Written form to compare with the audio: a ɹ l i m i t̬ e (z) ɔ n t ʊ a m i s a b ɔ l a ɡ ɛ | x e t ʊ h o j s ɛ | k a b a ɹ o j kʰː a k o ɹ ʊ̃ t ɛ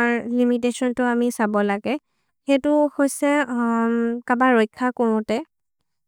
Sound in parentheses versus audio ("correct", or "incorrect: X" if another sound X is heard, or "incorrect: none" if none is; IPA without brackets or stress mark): incorrect: s